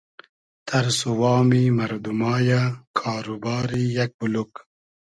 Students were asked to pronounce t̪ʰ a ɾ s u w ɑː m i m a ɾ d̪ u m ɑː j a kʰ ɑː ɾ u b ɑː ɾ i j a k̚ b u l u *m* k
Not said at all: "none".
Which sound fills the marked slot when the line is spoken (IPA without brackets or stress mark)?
none